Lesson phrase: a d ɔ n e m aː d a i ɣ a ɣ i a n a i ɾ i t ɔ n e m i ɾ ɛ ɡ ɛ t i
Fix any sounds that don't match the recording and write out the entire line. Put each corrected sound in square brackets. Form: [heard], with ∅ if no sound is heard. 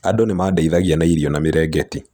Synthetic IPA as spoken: a d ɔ n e m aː d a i [ð] a ɣ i a n a i ɾ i [∅] ɔ n [a] m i ɾ ɛ ɡ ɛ t i